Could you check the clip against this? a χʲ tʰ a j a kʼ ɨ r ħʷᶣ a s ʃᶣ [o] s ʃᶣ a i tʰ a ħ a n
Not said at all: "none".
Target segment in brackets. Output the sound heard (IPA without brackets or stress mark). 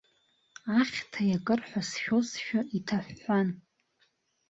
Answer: o